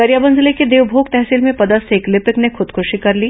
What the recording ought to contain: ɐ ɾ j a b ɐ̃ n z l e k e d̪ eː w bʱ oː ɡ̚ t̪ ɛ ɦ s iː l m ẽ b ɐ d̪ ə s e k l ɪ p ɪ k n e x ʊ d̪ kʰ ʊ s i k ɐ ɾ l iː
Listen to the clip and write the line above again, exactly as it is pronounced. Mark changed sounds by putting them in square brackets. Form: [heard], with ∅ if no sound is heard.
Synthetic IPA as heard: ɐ ɾ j a b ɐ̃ n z l e k e d̪ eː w bʱ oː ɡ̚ t̪ ɛ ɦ s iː l m ẽ [p] ɐ d̪ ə s e k l ɪ p ɪ k n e x ʊ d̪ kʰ ʊ [ʃ] i k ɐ ɾ l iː